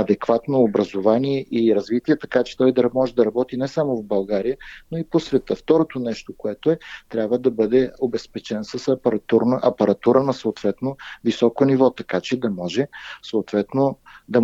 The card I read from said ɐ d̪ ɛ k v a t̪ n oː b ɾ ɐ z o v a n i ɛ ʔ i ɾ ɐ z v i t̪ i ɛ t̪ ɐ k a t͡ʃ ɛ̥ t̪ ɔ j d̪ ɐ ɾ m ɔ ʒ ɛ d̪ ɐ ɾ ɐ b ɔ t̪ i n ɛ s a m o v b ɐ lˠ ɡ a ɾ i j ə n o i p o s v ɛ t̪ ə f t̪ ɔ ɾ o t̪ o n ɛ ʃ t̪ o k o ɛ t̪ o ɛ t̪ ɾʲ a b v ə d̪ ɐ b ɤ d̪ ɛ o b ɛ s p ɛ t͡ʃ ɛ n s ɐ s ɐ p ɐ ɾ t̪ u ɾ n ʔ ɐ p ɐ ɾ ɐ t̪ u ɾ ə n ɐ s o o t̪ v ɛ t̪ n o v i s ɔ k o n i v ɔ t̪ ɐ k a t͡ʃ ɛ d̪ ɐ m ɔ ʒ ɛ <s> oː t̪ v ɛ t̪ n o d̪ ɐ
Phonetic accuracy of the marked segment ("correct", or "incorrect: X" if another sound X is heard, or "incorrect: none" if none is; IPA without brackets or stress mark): correct